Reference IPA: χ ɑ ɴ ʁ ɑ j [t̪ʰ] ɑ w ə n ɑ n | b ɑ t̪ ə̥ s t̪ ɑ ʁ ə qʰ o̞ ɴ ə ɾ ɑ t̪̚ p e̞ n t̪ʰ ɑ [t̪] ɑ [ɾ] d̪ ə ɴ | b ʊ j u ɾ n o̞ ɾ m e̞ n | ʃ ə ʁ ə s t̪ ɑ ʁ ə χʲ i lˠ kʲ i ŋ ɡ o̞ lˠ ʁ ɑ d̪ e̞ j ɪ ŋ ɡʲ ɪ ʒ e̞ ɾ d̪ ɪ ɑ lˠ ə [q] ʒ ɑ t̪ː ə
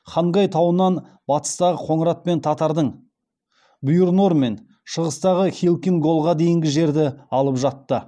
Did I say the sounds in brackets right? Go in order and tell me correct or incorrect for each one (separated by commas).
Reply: correct, correct, correct, incorrect